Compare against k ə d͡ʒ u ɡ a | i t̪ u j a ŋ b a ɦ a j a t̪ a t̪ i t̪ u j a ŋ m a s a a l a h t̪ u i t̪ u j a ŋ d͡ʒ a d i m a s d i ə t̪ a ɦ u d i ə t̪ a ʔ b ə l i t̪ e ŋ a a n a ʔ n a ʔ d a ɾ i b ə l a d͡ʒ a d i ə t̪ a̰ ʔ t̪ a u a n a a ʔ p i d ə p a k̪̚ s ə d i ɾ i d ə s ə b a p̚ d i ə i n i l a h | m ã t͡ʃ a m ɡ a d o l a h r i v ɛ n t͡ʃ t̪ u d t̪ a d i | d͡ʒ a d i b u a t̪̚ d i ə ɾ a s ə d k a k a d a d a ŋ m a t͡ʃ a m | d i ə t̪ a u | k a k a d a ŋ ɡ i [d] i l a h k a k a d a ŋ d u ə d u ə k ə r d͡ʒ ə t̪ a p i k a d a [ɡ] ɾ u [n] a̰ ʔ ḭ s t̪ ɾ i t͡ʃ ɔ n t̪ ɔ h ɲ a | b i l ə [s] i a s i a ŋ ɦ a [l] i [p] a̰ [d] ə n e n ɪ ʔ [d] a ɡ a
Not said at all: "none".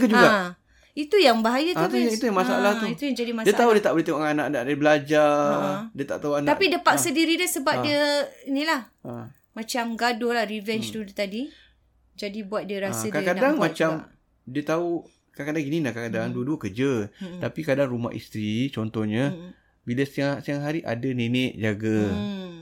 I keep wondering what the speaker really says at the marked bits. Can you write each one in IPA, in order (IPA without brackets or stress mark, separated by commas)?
n, ŋ, m, s, ɾ, ʔ, d, d͡ʒ